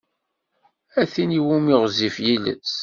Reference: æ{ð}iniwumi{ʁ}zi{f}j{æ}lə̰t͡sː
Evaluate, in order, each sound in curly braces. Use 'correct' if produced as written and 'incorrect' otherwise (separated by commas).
incorrect, correct, correct, incorrect